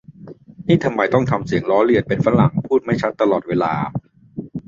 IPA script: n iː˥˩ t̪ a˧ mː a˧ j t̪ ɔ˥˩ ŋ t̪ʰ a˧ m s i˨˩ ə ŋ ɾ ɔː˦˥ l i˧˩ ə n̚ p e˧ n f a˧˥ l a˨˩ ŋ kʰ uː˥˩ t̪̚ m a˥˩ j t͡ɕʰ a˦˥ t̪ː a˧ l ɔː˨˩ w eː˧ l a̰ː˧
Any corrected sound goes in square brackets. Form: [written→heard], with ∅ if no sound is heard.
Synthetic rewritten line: n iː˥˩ [t̪→t̪ʰ] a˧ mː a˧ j t̪ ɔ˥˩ ŋ t̪ʰ a˧ m s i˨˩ ə ŋ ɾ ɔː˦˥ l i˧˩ ə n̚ p e˧ n f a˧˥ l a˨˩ ŋ [kʰ→pʰ] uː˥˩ t̪̚ m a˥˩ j t͡ɕʰ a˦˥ t̪ː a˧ l ɔː˨˩ w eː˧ l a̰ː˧